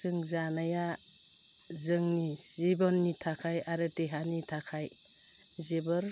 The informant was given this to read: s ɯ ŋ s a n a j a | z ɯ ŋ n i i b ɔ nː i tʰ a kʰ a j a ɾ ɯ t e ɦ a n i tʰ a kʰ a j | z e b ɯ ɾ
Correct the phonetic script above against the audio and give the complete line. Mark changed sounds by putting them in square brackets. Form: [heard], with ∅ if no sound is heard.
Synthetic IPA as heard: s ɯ ŋ [z] a n a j a | z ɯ ŋ n i i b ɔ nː i tʰ a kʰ a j a ɾ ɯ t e ɦ a n i tʰ a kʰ a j | z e b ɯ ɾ